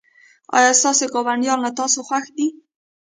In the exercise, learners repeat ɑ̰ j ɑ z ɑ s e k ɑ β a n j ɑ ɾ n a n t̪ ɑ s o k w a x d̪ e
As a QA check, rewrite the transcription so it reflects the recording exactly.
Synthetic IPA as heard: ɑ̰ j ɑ s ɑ s e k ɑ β a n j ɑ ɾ n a t̪ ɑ s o x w a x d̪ i